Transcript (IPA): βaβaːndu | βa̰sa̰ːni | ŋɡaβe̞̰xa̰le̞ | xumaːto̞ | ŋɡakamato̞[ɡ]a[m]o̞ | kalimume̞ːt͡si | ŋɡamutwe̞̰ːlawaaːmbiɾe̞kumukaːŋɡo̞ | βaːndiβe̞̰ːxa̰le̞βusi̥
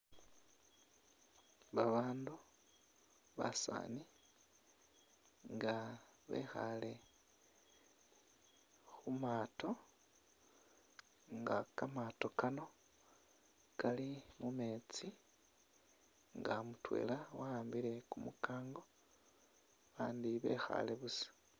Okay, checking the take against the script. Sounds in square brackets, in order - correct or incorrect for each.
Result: incorrect, incorrect

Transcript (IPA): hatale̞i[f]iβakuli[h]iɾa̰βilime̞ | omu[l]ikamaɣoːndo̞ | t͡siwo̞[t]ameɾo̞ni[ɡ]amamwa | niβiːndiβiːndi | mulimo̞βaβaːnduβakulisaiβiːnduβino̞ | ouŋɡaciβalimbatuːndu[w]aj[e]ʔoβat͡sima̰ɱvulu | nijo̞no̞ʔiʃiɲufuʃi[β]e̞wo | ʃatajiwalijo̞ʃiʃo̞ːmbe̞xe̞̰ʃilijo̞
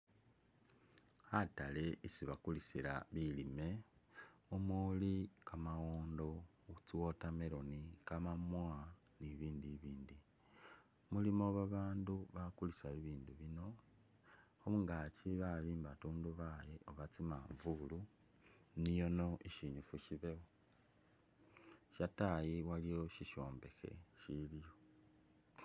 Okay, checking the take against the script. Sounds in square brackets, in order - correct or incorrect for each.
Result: incorrect, incorrect, correct, correct, incorrect, incorrect, correct, correct

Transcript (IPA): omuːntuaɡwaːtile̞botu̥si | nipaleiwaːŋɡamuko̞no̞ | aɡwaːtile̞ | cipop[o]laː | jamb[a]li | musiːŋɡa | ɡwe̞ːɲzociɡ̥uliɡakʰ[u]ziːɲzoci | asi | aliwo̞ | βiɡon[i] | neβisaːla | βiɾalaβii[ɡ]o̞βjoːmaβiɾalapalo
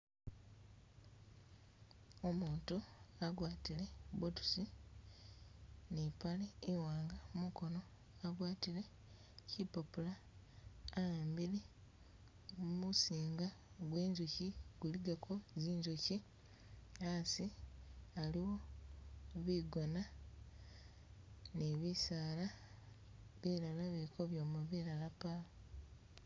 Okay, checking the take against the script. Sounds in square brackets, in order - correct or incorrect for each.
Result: incorrect, incorrect, incorrect, incorrect, incorrect

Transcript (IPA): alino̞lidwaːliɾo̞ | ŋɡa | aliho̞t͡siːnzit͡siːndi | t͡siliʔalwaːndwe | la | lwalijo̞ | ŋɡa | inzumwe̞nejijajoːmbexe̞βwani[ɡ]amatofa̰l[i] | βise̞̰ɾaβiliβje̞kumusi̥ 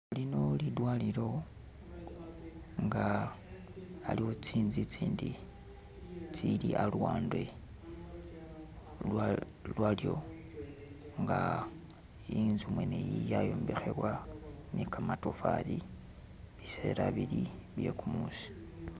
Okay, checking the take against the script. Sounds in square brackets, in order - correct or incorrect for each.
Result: incorrect, correct

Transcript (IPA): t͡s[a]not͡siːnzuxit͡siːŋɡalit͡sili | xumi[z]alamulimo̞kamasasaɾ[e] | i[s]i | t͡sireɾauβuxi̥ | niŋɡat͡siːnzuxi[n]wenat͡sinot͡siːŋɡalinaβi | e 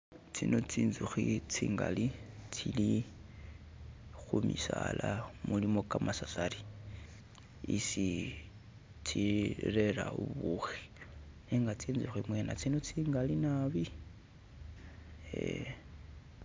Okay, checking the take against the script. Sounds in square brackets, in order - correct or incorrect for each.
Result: incorrect, incorrect, incorrect, correct, incorrect

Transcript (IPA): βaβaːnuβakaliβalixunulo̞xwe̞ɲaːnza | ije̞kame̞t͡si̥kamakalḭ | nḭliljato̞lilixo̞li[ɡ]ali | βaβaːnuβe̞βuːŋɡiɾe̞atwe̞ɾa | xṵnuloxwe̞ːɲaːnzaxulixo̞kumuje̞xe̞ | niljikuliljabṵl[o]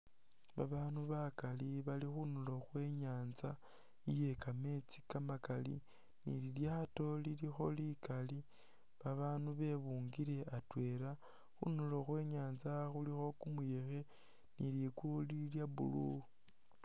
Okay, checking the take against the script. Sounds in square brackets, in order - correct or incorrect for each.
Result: incorrect, incorrect

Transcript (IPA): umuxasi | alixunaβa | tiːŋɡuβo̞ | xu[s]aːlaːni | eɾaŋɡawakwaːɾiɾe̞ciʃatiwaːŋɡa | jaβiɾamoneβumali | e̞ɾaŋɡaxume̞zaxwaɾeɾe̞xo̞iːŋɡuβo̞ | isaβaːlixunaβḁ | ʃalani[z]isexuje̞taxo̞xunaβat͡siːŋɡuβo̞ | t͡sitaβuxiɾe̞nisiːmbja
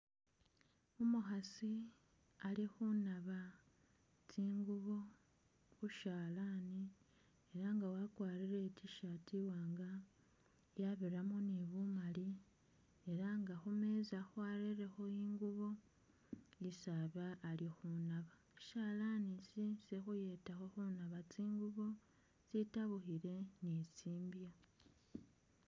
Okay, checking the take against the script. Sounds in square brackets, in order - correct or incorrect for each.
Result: incorrect, incorrect

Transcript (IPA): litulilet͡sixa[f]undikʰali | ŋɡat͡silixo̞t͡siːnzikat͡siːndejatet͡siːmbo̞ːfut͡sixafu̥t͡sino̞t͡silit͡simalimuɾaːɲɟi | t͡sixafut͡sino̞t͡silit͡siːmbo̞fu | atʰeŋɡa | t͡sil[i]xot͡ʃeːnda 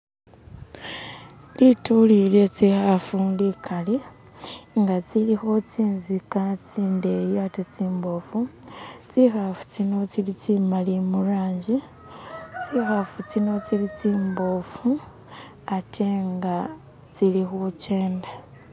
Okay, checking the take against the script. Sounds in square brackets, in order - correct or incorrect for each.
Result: correct, correct

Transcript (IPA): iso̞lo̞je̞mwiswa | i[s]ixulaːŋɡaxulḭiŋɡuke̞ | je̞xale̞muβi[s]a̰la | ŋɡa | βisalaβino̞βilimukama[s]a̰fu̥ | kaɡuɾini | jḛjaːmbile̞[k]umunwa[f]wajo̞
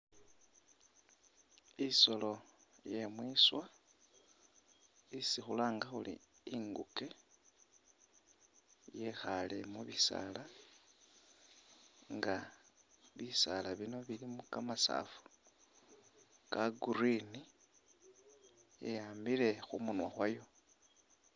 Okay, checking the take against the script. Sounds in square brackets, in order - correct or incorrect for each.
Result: correct, correct, correct, incorrect, incorrect

